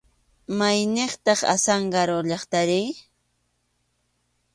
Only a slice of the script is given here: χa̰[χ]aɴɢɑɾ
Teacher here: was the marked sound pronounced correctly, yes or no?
no